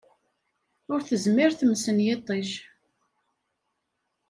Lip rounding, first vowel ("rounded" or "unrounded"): rounded